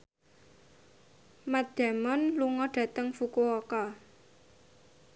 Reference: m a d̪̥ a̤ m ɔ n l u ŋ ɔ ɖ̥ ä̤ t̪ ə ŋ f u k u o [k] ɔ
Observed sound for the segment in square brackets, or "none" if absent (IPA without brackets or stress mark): k